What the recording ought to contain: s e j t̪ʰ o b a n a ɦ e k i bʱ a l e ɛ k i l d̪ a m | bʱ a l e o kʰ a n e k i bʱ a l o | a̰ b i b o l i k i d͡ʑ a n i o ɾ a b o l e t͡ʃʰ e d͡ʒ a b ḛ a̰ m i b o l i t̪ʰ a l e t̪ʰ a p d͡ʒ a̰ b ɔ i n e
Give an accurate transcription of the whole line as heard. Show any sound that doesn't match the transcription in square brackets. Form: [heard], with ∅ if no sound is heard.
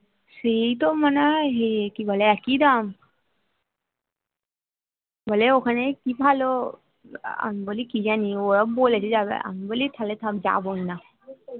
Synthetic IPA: s e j [t̪] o [m] a n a ɦ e k i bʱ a l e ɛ k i [∅] d̪ a m | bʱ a l e o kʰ a n e k i bʱ a l o | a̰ [m] i b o l i k i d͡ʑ a n i o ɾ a b o l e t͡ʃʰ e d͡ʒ a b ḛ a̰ m i b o l i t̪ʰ a l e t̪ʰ a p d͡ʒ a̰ b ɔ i n [a]